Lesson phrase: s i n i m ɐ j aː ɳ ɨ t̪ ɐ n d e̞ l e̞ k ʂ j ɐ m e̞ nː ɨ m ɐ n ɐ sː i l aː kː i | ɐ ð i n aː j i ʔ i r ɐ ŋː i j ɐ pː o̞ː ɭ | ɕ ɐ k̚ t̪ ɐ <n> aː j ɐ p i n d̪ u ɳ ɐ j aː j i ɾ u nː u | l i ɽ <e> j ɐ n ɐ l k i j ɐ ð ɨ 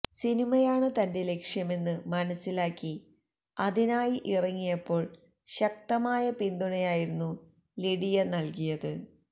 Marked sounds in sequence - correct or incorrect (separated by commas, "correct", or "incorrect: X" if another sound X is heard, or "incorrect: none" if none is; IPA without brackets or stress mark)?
incorrect: m, incorrect: i